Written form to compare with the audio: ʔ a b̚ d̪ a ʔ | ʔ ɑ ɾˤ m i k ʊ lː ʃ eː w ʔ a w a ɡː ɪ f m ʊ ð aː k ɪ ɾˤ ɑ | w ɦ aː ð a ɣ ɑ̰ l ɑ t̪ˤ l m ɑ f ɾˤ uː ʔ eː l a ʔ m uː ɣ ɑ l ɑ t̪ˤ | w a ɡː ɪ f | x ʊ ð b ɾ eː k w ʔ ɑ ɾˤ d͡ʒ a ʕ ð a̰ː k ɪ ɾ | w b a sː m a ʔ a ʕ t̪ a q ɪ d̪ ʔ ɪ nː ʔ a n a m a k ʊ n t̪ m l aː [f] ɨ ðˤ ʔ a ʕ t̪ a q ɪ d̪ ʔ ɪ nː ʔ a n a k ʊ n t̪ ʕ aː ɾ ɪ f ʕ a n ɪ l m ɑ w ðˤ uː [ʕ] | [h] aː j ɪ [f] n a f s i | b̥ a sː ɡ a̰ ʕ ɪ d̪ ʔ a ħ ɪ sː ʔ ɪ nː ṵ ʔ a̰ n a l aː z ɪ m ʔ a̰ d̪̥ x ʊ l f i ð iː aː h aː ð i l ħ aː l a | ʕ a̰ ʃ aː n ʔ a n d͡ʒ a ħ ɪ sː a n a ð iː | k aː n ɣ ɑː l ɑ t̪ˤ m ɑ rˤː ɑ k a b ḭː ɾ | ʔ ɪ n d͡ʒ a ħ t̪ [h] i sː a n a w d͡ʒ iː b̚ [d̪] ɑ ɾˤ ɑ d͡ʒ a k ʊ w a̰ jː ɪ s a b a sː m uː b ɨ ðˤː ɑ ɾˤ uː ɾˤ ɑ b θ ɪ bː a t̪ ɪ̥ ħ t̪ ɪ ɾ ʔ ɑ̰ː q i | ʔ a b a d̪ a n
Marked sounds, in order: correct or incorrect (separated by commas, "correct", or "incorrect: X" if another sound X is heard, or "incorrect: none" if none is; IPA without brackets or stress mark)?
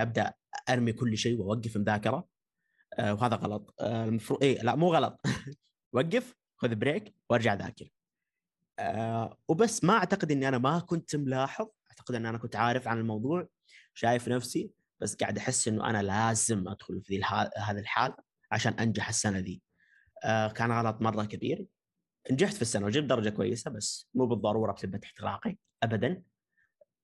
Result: incorrect: ħ, correct, incorrect: ʃ, correct, incorrect: f, correct